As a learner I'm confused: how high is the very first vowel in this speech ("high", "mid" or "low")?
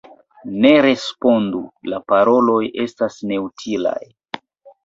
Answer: mid